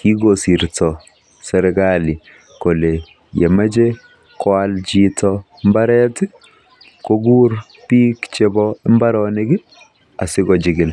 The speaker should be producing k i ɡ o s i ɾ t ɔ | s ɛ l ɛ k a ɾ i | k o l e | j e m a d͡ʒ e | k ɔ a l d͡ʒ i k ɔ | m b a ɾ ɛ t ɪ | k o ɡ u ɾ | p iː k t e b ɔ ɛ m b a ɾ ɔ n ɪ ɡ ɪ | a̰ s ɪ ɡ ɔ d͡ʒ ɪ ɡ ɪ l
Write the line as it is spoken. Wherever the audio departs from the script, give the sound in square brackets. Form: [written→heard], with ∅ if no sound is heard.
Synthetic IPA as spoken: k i ɡ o s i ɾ t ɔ | s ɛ [l→ɾ] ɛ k a [ɾ→l] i | k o l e | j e m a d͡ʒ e | k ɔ a l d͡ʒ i [k→t] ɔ | m b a ɾ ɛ t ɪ | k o ɡ u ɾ | p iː k [t→t͡ʃ] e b ɔ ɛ m b a ɾ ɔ n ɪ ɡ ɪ | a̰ s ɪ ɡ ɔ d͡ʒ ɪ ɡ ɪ l